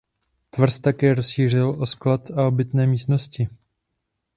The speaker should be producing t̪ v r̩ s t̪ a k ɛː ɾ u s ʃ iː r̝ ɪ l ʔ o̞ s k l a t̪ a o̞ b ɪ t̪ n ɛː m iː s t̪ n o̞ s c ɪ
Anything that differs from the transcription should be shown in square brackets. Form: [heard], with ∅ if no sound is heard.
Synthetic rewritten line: t̪ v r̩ s t̪ a k ɛː ɾ [o] s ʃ iː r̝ ɪ l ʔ o̞ s k l a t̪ a o̞ b ɪ t̪ n ɛː m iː s t̪ n o̞ s c ɪ